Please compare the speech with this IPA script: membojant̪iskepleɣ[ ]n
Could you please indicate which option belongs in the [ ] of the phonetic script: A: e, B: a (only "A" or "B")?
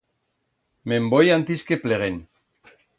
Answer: A